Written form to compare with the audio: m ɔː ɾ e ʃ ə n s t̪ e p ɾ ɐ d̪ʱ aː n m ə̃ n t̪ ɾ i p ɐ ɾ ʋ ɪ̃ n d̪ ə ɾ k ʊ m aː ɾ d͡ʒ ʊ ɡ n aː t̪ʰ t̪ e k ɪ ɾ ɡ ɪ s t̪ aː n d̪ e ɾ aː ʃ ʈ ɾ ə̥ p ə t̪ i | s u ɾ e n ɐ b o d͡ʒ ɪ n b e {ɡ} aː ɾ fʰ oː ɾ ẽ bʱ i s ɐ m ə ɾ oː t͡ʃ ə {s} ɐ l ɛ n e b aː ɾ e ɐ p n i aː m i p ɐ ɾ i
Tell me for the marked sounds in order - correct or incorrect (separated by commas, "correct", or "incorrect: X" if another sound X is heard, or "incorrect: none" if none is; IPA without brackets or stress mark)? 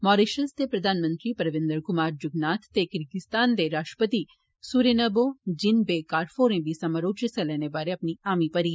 incorrect: k, correct